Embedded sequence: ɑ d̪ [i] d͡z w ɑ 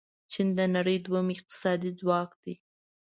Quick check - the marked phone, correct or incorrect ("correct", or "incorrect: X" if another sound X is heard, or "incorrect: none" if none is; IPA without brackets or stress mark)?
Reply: correct